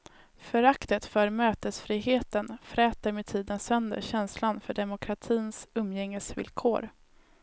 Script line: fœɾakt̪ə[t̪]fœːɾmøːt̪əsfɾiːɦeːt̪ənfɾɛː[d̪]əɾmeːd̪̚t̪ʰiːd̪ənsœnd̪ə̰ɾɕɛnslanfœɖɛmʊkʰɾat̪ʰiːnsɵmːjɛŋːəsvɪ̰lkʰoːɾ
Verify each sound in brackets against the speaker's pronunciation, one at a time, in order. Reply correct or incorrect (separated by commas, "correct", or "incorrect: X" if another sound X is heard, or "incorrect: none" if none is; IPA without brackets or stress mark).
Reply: correct, incorrect: t̪